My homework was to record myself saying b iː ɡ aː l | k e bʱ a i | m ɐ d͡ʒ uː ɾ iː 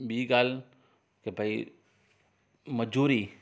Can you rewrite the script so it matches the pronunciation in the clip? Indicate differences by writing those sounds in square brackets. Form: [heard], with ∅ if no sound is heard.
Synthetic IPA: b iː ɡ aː l | k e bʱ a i | m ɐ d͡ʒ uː ɾ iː